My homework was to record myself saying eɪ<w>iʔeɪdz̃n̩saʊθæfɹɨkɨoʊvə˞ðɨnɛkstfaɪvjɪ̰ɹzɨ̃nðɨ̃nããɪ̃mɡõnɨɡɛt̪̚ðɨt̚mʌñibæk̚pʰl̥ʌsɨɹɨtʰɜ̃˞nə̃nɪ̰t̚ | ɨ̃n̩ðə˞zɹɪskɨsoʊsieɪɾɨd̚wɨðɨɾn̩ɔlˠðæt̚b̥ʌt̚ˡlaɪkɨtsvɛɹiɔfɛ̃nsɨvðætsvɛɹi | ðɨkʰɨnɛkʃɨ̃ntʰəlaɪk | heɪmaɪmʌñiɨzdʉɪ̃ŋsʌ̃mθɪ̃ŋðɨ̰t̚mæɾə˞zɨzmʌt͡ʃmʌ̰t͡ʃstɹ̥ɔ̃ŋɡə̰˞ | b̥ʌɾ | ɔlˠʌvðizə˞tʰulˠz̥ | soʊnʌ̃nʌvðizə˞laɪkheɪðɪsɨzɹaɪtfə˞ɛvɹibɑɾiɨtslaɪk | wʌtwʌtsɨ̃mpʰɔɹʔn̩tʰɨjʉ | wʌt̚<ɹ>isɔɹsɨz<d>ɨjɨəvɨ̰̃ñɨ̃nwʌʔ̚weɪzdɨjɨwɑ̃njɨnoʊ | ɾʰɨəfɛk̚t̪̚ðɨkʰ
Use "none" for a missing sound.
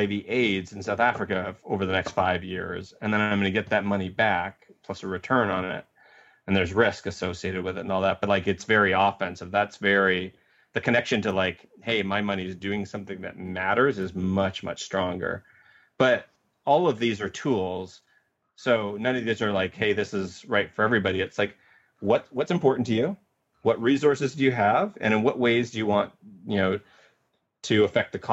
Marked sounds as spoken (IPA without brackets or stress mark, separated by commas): v, ɹ, d